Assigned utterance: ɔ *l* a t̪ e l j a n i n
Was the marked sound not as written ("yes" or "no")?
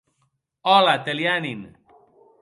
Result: no